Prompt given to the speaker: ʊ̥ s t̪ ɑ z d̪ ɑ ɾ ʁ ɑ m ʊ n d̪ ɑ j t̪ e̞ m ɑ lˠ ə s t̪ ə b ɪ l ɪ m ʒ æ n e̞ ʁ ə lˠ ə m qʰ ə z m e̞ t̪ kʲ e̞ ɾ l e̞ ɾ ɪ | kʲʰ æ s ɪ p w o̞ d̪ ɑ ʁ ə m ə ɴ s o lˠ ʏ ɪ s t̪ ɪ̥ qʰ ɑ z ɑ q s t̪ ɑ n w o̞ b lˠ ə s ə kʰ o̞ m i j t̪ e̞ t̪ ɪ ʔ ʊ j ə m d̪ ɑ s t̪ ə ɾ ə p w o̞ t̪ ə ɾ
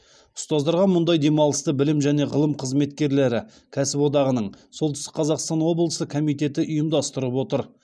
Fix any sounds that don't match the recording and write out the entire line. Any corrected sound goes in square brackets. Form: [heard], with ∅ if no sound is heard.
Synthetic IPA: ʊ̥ s t̪ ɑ z d̪ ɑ ɾ ʁ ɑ m ʊ n d̪ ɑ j [d̪] e̞ m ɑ lˠ ə s t̪ ə b ɪ l ɪ m ʒ æ n e̞ ʁ ə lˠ ə m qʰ ə z m e̞ t̪ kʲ e̞ ɾ l e̞ ɾ ɪ | kʲʰ æ s ɪ p w o̞ d̪ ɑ ʁ ə [n] ə ɴ s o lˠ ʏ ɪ s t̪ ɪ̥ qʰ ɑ z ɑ q s t̪ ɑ n w o̞ b lˠ ə s ə kʰ o̞ m i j t̪ e̞ t̪ ɪ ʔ ʊ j ə m d̪ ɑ s t̪ ə ɾ ə p w o̞ t̪ ə ɾ